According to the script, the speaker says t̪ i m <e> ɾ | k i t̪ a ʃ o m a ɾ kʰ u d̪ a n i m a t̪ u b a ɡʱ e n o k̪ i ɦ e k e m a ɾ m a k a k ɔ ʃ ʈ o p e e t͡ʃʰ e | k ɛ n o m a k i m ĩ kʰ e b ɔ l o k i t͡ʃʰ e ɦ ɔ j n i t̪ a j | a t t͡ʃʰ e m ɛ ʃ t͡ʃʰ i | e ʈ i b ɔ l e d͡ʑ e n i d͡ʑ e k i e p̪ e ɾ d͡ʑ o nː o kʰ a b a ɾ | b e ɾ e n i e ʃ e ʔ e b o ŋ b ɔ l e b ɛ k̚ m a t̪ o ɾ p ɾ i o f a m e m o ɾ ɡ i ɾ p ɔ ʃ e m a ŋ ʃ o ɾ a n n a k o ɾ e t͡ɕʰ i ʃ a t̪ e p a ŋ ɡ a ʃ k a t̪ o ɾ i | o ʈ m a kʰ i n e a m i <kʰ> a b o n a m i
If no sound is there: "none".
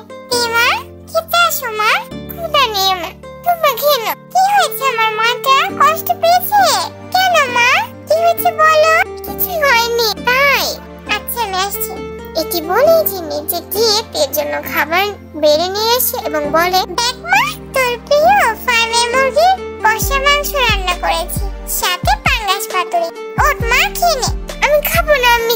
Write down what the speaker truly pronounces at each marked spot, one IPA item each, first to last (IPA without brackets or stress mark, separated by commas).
a, kʰ